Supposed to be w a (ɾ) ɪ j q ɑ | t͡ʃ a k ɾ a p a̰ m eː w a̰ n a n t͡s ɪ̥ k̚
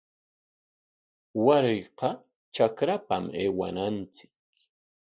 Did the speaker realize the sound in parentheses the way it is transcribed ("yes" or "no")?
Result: yes